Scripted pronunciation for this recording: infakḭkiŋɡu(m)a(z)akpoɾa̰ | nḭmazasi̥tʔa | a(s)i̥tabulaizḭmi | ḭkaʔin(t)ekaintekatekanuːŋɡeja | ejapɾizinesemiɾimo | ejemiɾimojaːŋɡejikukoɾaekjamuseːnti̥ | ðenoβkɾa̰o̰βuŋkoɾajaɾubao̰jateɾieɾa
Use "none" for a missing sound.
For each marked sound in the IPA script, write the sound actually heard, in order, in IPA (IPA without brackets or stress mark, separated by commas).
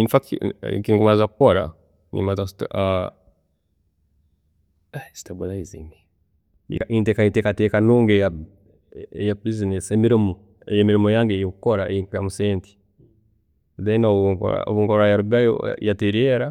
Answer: m, z, s, t